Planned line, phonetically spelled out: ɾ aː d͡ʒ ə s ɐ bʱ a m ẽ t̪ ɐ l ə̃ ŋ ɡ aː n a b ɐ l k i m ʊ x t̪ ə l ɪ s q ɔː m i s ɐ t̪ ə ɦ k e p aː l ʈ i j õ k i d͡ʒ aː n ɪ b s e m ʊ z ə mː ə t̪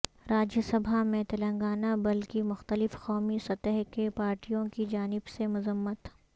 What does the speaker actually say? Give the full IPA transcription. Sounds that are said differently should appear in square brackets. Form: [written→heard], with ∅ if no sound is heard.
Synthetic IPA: ɾ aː d͡ʒ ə s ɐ bʱ a m ẽ t̪ ɐ l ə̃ ŋ ɡ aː n a b ɐ l k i m ʊ x t̪ ə l ɪ [s→f] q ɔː m i s ɐ t̪ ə ɦ k e p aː [l→ɾ] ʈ i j õ k i d͡ʒ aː n ɪ b s e m ʊ z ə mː ə t̪

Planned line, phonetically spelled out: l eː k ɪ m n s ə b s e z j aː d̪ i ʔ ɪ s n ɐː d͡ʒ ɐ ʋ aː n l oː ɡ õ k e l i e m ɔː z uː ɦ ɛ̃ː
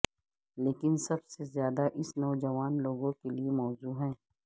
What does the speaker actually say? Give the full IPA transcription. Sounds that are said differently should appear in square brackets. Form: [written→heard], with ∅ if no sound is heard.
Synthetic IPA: l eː k ɪ [m→∅] n s [ə→ɐ] b s e z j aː d̪ [i→a] ʔ ɪ s n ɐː d͡ʒ ɐ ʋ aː n l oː ɡ õ k e l i e m ɔː z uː ɦ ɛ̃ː

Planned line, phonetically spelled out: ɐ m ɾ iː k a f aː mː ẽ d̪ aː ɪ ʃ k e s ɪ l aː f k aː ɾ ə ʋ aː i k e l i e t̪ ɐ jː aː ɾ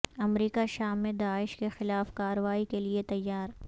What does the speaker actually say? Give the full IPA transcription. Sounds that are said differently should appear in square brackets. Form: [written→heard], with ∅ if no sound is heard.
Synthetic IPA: ɐ m ɾ iː k a [f→ʃ] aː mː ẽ d̪ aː ɪ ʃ k e [s→x] ɪ l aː f k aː ɾ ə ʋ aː i k e l i e t̪ ɐ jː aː ɾ

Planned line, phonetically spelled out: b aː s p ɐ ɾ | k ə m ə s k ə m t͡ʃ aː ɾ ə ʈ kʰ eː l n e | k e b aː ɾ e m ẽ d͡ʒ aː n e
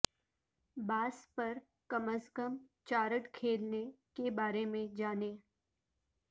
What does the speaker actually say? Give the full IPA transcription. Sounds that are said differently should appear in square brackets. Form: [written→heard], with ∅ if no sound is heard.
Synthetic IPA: b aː s p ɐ ɾ | k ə m ə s k ə m t͡ʃ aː ɾ ə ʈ kʰ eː l n e | k e b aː ɾ e m ẽ d͡ʒ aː n e

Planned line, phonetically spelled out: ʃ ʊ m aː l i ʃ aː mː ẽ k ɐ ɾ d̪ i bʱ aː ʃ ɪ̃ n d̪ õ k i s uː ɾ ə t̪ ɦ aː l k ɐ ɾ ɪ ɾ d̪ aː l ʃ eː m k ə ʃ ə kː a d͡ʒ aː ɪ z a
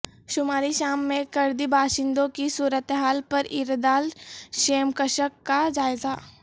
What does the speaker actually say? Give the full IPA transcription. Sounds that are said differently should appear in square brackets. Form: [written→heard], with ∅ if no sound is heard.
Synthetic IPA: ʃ ʊ m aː [l→ɾ] i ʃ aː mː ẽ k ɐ ɾ d̪ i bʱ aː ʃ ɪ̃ n d̪ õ k i s uː ɾ ə t̪ ɦ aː l [k→p] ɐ ɾ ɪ ɾ d̪ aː l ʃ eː m k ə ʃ ə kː a d͡ʒ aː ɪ z a

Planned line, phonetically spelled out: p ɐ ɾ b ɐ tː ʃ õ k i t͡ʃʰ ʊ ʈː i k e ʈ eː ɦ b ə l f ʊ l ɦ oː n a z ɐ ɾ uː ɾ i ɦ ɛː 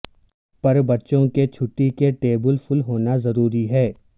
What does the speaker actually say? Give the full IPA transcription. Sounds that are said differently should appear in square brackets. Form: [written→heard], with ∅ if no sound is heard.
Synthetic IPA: p ɐ ɾ b ɐ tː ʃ õ k [i→e] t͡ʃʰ ʊ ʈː i k e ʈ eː [ɦ→∅] b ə l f ʊ l ɦ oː n a z ɐ ɾ uː ɾ i ɦ ɛː

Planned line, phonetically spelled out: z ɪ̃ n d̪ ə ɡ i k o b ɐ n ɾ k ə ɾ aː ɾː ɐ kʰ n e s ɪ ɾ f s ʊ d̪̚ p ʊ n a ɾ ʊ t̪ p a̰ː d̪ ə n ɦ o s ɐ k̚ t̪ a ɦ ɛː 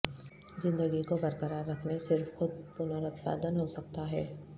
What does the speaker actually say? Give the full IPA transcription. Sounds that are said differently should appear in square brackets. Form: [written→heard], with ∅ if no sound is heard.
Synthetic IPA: z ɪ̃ n d̪ ə ɡ i k o b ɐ [n→∅] ɾ k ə ɾ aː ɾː ɐ kʰ n e s ɪ ɾ f [s→x] ʊ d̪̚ p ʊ n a ɾ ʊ t̪ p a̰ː d̪ ə n ɦ o s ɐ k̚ t̪ a ɦ ɛː

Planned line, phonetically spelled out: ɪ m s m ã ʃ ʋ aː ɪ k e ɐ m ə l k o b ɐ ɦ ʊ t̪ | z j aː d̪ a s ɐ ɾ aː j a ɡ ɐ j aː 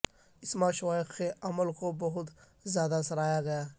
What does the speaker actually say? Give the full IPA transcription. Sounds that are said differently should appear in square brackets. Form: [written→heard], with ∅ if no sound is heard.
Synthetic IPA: ɪ [m→∅] s m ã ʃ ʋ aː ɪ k e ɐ m ə l k o b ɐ ɦ ʊ t̪ | z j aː d̪ a s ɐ ɾ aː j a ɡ ɐ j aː

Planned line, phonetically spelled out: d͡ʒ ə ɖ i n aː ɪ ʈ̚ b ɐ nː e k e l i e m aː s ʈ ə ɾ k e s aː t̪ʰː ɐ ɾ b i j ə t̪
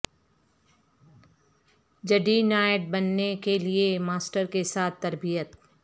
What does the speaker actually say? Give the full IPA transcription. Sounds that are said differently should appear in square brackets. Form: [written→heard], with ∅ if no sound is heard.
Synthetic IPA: d͡ʒ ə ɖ i n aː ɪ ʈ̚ b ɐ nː e k e l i e m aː s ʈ ə ɾ k e s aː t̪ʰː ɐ ɾ b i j ə t̪

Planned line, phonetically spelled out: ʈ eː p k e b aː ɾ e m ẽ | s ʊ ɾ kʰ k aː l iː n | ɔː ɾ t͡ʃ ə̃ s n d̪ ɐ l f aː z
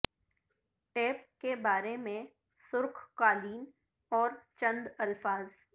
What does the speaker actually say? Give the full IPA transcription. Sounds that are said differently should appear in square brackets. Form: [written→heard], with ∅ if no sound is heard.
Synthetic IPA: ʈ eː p k e b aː ɾ e m ẽ | s ʊ ɾ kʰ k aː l iː n | ɔː ɾ t͡ʃ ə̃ [s→∅] n d̪ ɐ l f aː z

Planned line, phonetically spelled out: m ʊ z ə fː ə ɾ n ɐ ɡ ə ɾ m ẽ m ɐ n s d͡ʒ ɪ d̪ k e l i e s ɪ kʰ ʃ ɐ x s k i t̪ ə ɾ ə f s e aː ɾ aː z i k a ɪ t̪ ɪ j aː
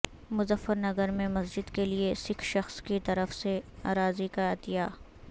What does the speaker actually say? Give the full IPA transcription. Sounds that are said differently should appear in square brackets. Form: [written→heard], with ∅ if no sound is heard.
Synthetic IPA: m ʊ z ə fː ə ɾ n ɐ ɡ ə ɾ m ẽ m ɐ [n→∅] s d͡ʒ ɪ d̪ k e l i e s ɪ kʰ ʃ ɐ x s k i t̪ [ə→ɐ] ɾ ə f s e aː ɾ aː z i k a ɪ t̪ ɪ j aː

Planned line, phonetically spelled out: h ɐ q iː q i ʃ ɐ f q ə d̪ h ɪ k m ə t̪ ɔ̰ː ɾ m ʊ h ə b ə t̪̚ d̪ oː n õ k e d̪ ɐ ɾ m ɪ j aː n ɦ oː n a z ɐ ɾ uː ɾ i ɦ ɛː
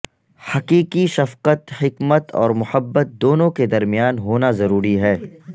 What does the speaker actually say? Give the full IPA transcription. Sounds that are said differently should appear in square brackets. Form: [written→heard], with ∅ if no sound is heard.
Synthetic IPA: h ɐ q iː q i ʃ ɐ f q ə [d̪→t̪] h ɪ k m ə t̪ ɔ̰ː ɾ m ʊ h ə [b→bː] ə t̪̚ d̪ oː n õ k e d̪ ɐ ɾ m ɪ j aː n ɦ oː n a z ɐ ɾ uː ɾ i ɦ ɛː

